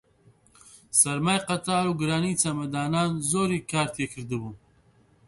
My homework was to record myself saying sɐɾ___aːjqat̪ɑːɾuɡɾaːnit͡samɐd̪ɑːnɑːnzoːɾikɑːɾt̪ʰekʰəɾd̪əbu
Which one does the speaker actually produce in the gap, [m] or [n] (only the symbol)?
m